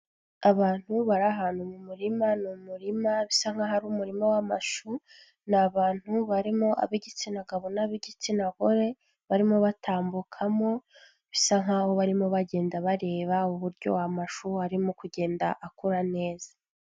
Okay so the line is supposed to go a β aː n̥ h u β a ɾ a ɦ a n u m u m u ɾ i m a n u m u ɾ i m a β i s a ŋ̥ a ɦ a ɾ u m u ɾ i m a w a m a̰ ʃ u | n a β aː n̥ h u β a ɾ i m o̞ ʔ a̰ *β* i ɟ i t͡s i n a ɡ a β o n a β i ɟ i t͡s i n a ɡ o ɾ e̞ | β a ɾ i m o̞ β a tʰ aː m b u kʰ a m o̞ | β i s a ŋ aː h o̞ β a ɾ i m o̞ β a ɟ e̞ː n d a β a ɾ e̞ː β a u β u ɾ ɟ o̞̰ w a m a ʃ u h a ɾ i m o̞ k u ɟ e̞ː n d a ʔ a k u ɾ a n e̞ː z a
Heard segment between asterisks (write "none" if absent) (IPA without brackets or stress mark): β